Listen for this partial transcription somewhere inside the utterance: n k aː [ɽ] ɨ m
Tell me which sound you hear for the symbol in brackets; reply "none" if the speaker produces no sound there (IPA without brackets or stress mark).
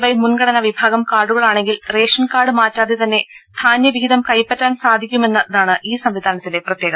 ɽ